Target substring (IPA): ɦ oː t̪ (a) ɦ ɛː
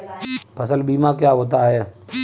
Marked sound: correct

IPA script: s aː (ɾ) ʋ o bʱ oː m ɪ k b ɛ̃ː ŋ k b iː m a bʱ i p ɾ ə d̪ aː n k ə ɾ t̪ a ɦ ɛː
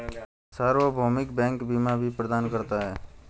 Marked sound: correct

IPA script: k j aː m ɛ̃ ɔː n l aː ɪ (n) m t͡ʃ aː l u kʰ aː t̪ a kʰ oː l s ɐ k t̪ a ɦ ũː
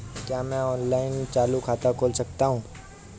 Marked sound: correct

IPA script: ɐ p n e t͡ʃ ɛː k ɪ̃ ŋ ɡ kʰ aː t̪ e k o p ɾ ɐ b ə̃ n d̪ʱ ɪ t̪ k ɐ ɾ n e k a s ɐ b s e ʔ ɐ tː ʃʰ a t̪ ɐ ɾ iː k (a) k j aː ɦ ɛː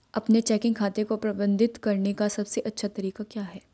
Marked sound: correct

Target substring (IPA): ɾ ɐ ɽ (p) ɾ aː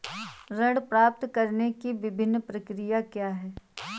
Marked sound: correct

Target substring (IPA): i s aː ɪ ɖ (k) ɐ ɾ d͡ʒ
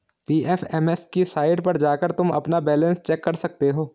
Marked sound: incorrect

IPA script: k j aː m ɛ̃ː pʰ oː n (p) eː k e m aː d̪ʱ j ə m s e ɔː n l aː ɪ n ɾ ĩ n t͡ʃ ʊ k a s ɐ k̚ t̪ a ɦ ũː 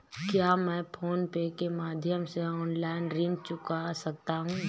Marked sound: correct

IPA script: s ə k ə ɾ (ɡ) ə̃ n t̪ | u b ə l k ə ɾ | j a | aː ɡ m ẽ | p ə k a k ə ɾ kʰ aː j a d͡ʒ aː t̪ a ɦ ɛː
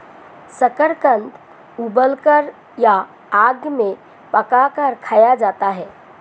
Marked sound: incorrect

